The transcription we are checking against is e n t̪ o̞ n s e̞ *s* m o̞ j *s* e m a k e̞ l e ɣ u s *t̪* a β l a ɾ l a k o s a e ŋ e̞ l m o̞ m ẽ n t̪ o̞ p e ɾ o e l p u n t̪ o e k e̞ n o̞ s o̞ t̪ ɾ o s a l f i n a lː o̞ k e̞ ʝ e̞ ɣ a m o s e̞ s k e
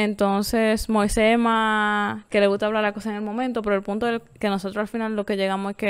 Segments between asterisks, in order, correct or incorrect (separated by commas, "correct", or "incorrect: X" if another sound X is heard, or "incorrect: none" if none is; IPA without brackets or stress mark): correct, correct, correct